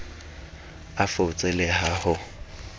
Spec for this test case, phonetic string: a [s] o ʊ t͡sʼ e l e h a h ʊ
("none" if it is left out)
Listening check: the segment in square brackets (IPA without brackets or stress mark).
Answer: f